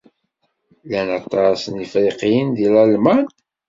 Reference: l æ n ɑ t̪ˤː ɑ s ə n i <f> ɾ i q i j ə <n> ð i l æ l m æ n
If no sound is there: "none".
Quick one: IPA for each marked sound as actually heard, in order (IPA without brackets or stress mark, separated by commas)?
f, n